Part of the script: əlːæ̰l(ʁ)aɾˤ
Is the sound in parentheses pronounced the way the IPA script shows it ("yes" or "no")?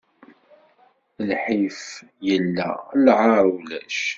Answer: no